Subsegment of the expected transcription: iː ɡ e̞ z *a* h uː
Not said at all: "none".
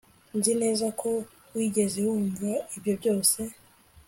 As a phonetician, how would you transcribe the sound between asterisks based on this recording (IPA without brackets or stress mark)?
e